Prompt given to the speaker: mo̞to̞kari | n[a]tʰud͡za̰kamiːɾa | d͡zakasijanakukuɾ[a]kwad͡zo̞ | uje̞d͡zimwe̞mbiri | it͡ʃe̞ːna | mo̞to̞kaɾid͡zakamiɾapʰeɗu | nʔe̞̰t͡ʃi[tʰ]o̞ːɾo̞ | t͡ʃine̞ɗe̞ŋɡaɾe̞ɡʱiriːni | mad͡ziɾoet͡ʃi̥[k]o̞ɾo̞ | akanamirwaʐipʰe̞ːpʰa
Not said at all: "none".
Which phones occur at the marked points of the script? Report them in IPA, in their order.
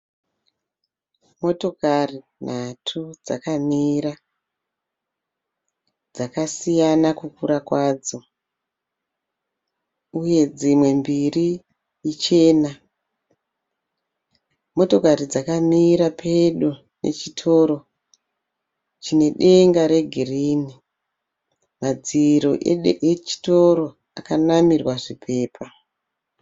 a, a, tʰ, t

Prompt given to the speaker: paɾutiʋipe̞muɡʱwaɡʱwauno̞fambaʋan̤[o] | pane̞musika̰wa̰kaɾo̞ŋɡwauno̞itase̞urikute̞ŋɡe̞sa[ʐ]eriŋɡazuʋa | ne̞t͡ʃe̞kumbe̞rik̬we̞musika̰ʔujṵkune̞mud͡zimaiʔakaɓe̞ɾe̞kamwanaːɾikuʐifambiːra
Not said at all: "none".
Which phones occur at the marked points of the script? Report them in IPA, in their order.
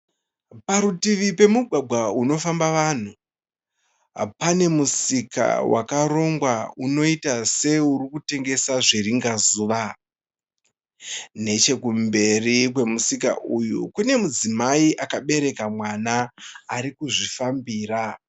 u, ʐ

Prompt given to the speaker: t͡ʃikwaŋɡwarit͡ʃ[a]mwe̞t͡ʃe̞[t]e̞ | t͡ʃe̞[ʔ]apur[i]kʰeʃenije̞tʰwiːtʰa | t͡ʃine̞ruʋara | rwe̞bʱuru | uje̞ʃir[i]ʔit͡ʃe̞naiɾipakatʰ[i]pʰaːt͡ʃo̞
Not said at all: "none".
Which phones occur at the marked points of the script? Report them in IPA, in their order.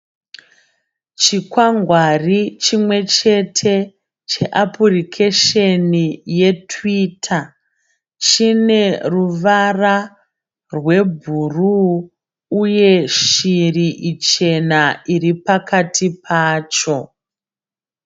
i, tʰ, ʔ, i, i, i

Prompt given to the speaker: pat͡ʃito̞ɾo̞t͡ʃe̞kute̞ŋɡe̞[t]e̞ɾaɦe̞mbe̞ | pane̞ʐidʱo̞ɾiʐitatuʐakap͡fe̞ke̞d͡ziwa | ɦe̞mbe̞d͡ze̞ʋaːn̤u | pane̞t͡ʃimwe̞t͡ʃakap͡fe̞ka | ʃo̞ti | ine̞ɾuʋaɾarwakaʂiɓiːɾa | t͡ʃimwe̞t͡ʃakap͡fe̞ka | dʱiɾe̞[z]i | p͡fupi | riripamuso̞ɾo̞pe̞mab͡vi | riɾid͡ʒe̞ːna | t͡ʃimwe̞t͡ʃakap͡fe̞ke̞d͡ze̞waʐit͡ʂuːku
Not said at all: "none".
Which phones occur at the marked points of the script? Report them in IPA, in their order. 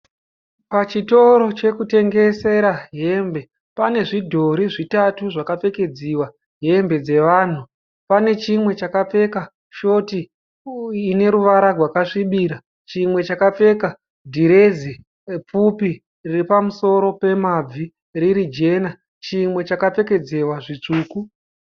s, z

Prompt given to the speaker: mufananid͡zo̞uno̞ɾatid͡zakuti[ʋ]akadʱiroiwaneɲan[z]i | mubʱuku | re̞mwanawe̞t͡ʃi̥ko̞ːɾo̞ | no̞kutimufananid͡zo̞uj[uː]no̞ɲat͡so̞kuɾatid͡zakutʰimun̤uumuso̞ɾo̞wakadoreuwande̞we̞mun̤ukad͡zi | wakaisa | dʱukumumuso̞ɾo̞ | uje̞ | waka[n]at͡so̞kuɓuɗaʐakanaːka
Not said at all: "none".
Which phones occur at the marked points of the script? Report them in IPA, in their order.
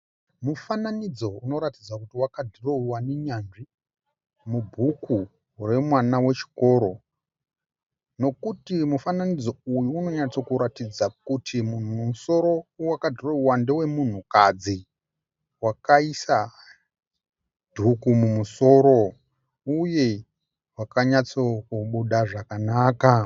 w, ʐ, uː, ɲ

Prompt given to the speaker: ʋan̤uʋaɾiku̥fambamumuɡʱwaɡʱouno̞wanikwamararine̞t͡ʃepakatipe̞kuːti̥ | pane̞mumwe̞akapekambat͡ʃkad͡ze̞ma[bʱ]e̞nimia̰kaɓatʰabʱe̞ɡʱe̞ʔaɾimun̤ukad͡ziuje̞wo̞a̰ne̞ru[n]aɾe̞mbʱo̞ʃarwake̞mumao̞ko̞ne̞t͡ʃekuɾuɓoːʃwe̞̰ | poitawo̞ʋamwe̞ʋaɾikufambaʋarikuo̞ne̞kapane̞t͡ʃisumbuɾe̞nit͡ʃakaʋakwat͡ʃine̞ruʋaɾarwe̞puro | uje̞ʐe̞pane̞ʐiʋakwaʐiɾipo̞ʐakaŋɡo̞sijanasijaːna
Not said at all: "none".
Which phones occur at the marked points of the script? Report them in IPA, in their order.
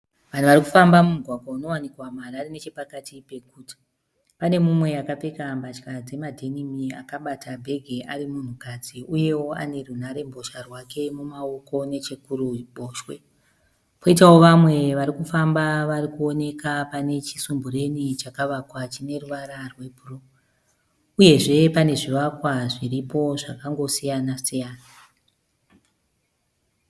dʱ, n

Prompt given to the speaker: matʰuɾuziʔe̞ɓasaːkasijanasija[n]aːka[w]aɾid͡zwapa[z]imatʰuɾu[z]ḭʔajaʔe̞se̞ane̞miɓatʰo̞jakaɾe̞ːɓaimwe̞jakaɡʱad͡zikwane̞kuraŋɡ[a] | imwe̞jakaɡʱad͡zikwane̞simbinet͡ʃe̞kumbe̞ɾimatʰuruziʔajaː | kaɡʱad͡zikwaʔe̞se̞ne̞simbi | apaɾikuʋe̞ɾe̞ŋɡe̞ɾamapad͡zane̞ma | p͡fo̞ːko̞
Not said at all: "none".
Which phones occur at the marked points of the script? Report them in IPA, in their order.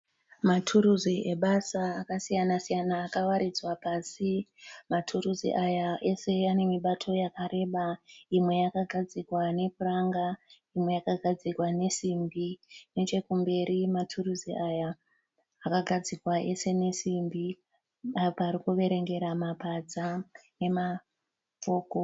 n, w, s, z, a

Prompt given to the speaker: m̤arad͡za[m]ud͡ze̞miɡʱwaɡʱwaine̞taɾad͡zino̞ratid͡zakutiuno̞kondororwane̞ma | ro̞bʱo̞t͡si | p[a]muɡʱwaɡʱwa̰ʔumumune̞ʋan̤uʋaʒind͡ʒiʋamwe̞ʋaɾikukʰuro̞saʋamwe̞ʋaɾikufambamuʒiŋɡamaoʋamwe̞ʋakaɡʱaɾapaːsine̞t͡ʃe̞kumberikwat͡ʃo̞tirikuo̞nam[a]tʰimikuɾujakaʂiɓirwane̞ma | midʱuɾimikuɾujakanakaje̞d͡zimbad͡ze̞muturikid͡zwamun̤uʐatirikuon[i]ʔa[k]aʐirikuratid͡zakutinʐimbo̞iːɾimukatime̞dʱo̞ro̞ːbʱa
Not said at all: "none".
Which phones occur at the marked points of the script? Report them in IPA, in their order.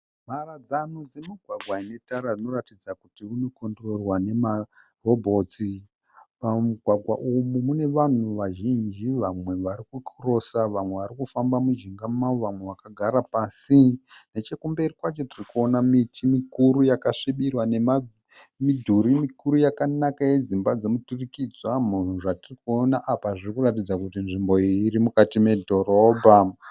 n, a, i, a, p

